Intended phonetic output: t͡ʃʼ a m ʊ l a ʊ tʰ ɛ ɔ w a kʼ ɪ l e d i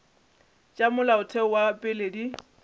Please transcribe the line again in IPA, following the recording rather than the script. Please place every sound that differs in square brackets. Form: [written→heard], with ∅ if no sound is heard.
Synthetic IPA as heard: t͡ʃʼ a m ʊ l a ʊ tʰ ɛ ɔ w a [kʼ→pʼ] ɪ l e d i